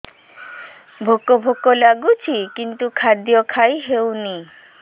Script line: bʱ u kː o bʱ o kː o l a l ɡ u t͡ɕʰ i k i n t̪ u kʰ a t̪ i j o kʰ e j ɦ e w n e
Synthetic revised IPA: bʱ o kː o bʱ o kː o l a ɡ u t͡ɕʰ i k i n t̪ u kʰ a d̪ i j o kʰ a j ɦ e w n i